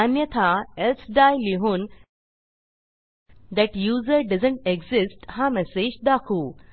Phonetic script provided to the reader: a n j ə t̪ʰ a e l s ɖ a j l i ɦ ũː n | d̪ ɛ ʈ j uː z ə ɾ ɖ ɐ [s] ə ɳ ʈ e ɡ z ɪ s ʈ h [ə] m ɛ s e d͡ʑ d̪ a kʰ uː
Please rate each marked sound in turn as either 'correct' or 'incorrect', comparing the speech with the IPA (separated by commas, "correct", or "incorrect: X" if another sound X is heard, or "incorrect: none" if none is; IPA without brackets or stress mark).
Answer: incorrect: z, incorrect: a